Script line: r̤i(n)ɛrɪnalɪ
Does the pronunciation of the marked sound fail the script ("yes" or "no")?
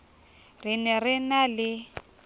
no